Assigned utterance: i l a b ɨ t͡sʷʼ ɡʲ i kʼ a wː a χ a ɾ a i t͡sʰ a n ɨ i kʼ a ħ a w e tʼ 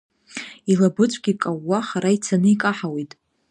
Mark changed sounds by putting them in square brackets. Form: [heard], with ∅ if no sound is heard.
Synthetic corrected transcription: i l a b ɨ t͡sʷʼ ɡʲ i kʼ a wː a χ a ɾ a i t͡sʰ a n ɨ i kʼ a ħ a w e tʼ